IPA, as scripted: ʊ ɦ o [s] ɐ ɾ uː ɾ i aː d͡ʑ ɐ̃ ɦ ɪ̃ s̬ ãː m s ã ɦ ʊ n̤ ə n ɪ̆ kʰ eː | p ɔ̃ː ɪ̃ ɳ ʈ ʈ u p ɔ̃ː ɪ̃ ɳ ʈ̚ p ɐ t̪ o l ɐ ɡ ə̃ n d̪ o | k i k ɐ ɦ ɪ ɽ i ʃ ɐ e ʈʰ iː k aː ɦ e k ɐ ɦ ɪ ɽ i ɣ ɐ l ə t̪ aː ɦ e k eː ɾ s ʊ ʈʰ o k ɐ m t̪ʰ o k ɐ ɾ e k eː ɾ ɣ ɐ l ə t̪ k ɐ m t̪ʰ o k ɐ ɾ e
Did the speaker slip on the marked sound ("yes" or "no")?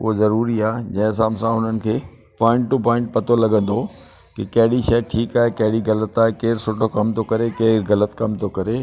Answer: yes